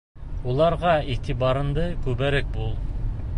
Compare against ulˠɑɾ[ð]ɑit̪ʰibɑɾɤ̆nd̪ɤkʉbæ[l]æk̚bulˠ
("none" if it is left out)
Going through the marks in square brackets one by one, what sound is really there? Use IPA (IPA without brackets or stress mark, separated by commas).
ʁ, ɾ